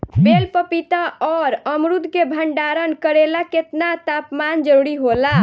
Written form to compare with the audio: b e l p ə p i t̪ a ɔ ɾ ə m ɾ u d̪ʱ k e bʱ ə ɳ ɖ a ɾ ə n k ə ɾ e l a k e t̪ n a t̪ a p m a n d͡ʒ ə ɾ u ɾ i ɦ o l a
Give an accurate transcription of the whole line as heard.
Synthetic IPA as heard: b e l p ə p i t̪ a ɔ ɾ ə m ɾ u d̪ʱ k e bʱ ə ɳ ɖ a ɾ ə n k ə ɾ e l a k e t̪ n a t̪ a p m a n d͡ʒ ə ɾ u ɾ i ɦ o l a